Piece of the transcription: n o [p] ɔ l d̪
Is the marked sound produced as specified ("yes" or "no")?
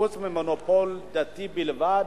yes